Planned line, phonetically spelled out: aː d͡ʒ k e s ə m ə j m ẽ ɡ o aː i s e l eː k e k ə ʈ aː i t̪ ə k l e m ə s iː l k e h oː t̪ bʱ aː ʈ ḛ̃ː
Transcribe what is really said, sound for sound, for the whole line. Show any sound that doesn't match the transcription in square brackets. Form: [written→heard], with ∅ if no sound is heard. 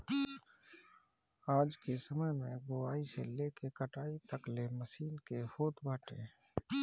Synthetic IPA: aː d͡ʒ k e s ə m ə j m ẽ ɡ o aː i s e l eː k e k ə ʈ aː i t̪ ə k l e m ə s iː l k e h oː t̪ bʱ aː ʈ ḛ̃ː

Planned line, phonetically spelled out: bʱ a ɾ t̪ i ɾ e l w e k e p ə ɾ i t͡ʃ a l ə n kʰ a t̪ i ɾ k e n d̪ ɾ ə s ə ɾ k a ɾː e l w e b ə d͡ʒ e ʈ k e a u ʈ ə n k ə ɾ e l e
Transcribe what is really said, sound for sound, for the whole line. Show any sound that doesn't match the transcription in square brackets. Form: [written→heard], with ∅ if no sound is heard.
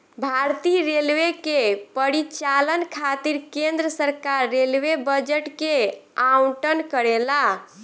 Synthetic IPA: bʱ a ɾ t̪ i ɾ e l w e k e p ə ɾ i t͡ʃ a l ə n kʰ a t̪ i ɾ k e n d̪ ɾ ə s ə ɾ k a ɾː e l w e b ə d͡ʒ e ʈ k e a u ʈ ə n k ə ɾ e l [e→a]

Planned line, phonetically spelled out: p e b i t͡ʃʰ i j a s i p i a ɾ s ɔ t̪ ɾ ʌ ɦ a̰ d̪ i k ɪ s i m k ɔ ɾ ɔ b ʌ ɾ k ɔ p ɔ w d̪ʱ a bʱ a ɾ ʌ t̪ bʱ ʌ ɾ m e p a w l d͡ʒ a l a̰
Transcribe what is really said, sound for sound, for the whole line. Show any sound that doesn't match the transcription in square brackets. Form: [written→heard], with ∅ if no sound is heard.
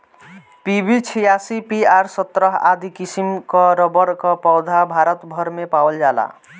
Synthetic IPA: p [e→i] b i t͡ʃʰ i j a s i p i a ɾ s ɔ t̪ ɾ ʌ ɦ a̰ d̪ i k [ɪ→i] s i m k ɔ ɾ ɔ b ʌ ɾ k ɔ p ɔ w d̪ʱ a bʱ a ɾ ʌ t̪ bʱ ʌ ɾ m e p a w l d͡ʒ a l a̰

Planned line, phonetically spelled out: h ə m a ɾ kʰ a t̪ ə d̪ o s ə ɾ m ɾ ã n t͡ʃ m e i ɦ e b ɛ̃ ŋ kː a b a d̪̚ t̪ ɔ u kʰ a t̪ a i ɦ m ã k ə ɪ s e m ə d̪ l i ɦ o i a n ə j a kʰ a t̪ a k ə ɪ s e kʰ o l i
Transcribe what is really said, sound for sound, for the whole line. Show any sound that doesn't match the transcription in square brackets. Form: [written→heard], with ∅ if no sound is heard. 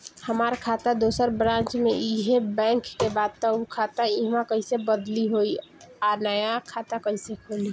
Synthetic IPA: h ə m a ɾ kʰ a t̪ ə d̪ o s ə ɾ [m→b] ɾ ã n t͡ʃ m e i ɦ e b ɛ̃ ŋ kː [a→e] b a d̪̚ t̪ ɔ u kʰ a t̪ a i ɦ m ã k ə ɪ s e [m→b] ə d̪ l i ɦ o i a n ə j a kʰ a t̪ a k ə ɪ s e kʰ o l i

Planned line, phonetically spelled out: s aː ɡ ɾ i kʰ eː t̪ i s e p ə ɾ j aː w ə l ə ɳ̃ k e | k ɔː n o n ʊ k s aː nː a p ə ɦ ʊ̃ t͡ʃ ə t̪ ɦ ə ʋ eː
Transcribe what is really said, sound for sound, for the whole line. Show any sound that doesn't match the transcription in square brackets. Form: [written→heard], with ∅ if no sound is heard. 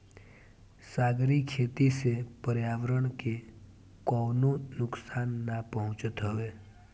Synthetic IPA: s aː ɡ ɾ i kʰ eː t̪ i s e p ə ɾ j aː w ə [l→ɾ] ə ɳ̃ k e | k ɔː n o n ʊ k s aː nː a p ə ɦ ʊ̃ t͡ʃ ə t̪ ɦ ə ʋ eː

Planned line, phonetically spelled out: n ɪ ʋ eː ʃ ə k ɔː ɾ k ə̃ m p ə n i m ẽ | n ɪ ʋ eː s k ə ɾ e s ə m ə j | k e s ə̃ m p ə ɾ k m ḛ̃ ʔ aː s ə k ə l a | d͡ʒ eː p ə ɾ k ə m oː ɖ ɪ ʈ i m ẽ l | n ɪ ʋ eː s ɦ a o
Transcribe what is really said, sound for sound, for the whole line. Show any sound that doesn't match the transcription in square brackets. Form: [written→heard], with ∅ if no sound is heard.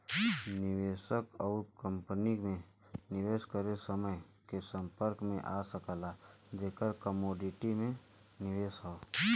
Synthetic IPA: n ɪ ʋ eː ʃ ə k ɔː ɾ k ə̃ m p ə n i m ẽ | n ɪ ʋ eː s k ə ɾ e s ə m ə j | k e s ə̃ m p ə ɾ k m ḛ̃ ʔ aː s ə k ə l a | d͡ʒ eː [p→k] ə ɾ k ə m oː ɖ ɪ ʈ i m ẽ [l→∅] | n ɪ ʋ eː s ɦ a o

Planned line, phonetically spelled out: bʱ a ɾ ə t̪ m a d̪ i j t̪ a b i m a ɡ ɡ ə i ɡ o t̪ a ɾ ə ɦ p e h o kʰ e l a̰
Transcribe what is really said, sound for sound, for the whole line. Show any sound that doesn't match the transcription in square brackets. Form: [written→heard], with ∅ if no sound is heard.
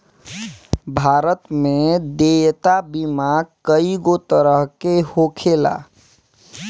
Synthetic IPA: bʱ a ɾ ə t̪ m [a→e] d̪ [i→e] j t̪ a b i m a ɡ [ɡ→k] ə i ɡ o t̪ [a→ə] ɾ ə ɦ [p→k] e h o kʰ e l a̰

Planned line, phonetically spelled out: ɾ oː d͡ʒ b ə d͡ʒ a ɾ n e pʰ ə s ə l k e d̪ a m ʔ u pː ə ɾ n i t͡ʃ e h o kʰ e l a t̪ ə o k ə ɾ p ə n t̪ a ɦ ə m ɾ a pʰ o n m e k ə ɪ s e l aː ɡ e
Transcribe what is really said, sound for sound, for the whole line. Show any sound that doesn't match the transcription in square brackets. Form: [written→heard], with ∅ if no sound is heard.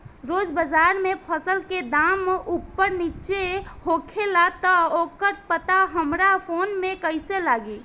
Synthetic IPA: ɾ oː d͡ʒ b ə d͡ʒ a ɾ [n→m] e pʰ ə s ə l k e d̪ a m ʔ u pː ə ɾ n i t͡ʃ e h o kʰ e l a t̪ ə o k ə ɾ p ə [n→∅] t̪ a ɦ ə m ɾ a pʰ o n m e k ə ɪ s e l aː ɡ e

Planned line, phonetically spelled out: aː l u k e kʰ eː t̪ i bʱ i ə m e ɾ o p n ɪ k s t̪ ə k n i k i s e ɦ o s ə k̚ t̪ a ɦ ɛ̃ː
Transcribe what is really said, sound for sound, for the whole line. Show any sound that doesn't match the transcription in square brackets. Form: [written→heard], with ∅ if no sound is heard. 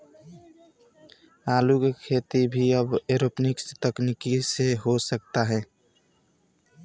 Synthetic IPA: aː l u k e kʰ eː t̪ i bʱ i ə [m→b] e ɾ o p n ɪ k s t̪ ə k n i k i s e ɦ o s ə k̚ t̪ a ɦ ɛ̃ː

